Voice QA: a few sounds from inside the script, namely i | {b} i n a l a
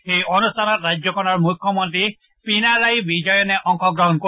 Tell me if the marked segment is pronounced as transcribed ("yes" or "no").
no